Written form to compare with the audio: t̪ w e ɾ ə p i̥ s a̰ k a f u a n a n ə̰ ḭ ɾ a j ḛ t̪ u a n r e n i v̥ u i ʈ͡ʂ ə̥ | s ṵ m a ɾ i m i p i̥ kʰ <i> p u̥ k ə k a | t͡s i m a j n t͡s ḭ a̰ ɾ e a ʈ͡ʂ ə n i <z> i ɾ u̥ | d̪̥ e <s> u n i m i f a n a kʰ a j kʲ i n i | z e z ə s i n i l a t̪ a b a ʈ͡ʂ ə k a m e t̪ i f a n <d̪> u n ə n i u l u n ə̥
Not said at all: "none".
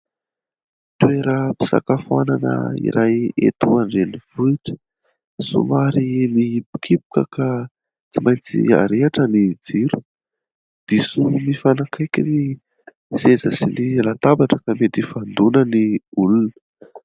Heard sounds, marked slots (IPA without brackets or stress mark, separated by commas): i, d͡z, s, d̪